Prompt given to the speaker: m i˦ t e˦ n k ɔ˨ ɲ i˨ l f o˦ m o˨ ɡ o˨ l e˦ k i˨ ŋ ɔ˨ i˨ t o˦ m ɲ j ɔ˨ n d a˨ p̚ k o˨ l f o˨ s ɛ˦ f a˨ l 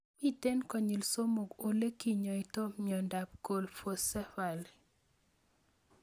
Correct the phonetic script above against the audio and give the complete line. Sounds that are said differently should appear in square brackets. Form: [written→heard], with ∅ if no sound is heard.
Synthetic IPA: m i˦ t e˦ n k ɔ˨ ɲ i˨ l [f→s] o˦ m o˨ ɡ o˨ l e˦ k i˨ [ŋ→ɲ] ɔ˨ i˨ t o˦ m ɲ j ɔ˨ n d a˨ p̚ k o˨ l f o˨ s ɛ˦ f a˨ l

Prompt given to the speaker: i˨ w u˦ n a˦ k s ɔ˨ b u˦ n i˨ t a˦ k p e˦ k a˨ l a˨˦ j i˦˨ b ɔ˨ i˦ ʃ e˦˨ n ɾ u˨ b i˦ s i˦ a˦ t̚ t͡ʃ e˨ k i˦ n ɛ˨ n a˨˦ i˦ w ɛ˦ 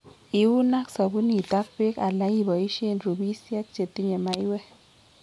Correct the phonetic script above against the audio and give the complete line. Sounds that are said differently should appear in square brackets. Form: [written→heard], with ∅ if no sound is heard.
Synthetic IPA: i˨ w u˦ n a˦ k s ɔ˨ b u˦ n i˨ t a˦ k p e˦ k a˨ l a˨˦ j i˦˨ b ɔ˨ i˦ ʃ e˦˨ n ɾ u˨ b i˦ s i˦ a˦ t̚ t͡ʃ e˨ [k→t] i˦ [n→ɲ] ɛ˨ [n→m] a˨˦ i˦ w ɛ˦

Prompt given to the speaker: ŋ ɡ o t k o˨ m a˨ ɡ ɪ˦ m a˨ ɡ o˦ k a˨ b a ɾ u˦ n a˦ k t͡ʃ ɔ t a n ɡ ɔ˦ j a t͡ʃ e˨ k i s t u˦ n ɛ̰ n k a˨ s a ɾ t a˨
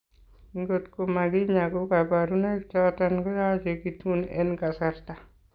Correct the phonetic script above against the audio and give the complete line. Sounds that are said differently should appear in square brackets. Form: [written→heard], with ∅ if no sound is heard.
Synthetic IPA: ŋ ɡ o t k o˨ m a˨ ɡ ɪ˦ [m→ɲ] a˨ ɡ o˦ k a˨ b a ɾ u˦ n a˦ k t͡ʃ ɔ t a n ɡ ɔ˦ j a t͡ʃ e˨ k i [s→∅] t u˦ n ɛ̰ n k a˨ s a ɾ t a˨

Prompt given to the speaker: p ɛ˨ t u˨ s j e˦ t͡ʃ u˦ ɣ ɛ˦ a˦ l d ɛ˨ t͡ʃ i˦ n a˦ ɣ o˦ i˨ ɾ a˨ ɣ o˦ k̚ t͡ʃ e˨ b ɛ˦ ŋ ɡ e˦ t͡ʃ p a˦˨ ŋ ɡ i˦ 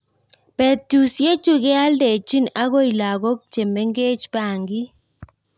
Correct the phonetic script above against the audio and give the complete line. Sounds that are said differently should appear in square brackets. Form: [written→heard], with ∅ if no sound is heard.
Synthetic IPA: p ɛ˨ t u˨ s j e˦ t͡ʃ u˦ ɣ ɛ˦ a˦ l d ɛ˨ t͡ʃ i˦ n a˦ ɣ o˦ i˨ [ɾ→l] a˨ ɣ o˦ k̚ t͡ʃ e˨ [b→m] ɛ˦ ŋ ɡ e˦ t͡ʃ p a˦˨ ŋ ɡ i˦

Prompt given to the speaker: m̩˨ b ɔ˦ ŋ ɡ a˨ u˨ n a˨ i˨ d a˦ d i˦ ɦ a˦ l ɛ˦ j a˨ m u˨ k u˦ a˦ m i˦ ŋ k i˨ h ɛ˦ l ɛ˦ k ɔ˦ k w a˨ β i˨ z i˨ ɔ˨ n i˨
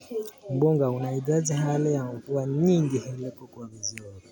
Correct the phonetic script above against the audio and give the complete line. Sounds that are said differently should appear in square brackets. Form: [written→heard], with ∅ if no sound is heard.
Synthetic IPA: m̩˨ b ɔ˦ ŋ ɡ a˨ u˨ n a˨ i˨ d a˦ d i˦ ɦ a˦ l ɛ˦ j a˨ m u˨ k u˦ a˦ [m→ɲ] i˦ ŋ [k→ɡ] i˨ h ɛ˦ l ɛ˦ k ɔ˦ k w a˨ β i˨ z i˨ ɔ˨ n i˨

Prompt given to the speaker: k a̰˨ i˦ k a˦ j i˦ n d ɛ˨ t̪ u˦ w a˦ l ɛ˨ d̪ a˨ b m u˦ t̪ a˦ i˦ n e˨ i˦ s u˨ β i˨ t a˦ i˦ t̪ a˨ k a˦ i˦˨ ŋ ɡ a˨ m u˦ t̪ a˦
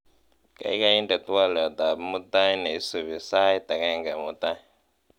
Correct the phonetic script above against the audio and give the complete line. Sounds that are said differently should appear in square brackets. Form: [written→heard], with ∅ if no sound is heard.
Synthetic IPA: k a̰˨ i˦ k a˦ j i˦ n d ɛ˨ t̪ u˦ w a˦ l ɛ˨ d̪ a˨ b m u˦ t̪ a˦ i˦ n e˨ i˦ s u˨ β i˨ [t→s] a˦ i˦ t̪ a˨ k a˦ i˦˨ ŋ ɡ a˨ m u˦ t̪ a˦

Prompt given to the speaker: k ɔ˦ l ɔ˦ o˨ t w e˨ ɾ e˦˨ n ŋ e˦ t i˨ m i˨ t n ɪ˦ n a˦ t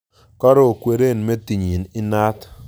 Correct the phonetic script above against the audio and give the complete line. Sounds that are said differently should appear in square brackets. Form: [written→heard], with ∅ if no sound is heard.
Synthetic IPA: k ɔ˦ [l→ɾ] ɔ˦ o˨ [t→k] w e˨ ɾ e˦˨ n [ŋ→m] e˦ t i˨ [m→ɲ] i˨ [t→∅] n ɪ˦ n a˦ t

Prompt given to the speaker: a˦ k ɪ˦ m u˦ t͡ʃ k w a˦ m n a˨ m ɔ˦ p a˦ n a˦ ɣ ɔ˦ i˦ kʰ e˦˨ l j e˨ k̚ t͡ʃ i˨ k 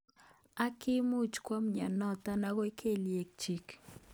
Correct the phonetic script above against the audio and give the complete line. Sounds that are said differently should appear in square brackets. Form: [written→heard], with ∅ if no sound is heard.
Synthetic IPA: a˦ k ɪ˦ m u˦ t͡ʃ k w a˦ m [n→ɲ] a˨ [m→n] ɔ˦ [p→t] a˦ n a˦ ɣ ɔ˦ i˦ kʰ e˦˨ l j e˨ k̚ t͡ʃ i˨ k

